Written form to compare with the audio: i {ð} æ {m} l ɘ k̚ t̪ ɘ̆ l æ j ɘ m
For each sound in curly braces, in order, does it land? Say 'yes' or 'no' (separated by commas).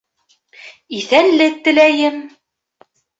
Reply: no, no